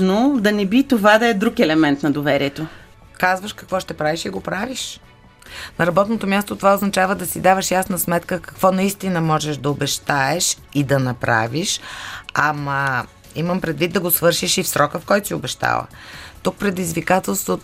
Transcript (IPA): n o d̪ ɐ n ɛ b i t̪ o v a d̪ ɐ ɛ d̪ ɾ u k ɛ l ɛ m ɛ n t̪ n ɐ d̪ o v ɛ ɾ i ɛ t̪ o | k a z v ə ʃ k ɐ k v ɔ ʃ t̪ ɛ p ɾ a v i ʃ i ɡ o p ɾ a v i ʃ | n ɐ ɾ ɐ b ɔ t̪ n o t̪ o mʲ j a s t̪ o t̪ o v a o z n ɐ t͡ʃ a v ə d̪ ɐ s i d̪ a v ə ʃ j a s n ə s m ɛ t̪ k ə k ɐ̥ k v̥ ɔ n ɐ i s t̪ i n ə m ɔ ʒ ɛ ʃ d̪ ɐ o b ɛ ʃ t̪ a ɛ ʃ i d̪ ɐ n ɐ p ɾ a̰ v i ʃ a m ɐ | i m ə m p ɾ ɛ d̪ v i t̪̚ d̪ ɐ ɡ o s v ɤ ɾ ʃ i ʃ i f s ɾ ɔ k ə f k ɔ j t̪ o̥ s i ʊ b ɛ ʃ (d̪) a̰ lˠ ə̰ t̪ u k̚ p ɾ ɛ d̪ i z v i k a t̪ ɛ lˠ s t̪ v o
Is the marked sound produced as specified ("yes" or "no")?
no